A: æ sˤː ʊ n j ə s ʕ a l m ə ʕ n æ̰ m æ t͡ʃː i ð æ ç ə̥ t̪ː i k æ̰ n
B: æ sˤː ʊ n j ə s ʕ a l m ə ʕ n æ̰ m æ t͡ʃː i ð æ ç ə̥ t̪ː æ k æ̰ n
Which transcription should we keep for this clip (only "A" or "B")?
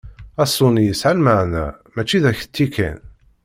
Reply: A